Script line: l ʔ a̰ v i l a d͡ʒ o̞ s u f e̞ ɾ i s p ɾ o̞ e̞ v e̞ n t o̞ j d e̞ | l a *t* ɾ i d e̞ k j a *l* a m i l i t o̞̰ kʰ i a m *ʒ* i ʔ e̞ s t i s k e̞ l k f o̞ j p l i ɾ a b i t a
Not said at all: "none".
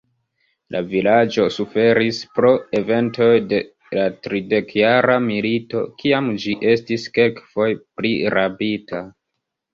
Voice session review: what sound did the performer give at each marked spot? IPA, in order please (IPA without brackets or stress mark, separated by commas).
t, ɾ, d͡ʒ